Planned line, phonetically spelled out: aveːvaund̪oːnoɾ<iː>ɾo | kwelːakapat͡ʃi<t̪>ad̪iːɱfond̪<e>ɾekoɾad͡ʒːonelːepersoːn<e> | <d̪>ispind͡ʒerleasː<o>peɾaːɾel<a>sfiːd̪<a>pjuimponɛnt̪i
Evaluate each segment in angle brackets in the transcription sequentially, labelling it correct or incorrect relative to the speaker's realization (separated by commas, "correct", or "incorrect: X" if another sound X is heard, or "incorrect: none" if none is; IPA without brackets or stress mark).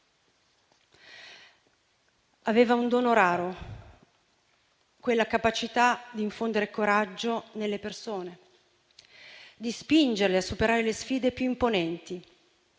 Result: incorrect: aː, correct, correct, correct, correct, incorrect: u, incorrect: e, incorrect: e